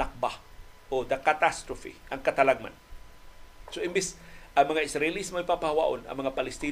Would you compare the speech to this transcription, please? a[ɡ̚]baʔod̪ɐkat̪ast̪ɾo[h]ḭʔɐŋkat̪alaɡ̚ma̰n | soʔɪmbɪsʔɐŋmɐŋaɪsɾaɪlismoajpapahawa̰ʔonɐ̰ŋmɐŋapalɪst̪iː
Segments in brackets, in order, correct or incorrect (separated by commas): incorrect, incorrect